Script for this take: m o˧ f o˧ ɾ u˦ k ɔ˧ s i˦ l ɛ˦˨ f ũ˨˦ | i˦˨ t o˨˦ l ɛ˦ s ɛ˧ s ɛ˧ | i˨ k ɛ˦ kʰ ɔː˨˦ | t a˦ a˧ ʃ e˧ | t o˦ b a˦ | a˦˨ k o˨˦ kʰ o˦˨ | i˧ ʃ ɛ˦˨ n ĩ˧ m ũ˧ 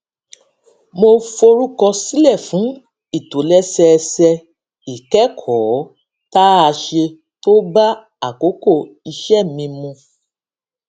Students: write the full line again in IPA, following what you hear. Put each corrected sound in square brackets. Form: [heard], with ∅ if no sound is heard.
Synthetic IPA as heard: m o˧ f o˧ ɾ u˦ k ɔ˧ s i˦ l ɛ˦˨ f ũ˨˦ | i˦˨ t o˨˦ l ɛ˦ s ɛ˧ s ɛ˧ | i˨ k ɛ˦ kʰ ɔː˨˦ | t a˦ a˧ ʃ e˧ | t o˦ b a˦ | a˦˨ k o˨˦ [k] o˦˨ | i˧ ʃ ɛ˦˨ [m] ĩ˧ m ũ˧